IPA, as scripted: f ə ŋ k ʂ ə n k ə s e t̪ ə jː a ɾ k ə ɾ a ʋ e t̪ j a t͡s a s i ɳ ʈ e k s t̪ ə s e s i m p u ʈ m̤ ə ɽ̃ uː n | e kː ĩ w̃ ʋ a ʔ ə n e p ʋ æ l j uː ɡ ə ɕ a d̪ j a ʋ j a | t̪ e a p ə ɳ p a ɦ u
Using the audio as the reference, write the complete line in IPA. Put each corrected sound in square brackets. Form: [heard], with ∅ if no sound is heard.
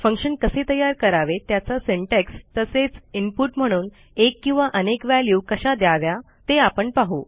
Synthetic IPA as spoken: f ə ŋ k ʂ ə n k ə s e t̪ ə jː a ɾ k ə ɾ a ʋ e t̪ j a t͡s a s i ɳ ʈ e k s t̪ ə s e [t͡s] i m p u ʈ m̤ ə ɽ̃ uː n | e kː ĩ w̃ ʋ a ʔ ə n e [k] ʋ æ l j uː [k] ə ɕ a d̪ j a ʋ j a | t̪ e a p ə ɳ p a ɦ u